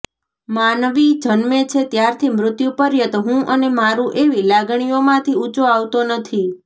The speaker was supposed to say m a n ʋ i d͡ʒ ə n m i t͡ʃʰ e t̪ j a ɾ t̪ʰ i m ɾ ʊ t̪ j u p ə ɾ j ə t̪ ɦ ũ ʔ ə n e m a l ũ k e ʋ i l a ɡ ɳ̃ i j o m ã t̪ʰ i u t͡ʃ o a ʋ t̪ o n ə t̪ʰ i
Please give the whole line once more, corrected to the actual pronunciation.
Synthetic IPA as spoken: m a n ʋ i d͡ʒ ə n m e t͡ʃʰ e t̪ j a ɾ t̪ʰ i m ɾ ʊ t̪ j u p ə ɾ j ə t̪ ɦ ũ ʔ ə n e m a ɾ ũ ʔ e ʋ i l a ɡ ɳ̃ i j o m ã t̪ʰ i u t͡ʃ o a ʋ t̪ o n ə t̪ʰ i